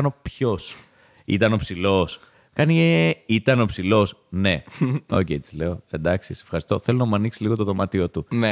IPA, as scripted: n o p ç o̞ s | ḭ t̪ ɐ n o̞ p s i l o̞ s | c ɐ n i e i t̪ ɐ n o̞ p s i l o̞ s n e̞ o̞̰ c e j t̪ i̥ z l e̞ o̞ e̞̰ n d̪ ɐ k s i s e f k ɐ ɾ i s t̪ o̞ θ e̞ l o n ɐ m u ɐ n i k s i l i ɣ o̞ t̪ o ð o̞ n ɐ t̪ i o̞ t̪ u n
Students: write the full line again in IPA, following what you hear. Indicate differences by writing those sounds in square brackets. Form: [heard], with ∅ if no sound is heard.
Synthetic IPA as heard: n o p ç o̞ s | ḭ t̪ ɐ n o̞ p s i l o̞ s | [k] ɐ n i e i t̪ ɐ n o̞ p s i l o̞ s n e̞ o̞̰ c e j t̪ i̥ z l e̞ o̞ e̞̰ n d̪ ɐ k s i s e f [x] ɐ ɾ i s t̪ o̞ θ e̞ l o n ɐ m u ɐ n i k s i l i ɣ o̞ t̪ o ð o̞ [m] ɐ t̪ i o̞ t̪ u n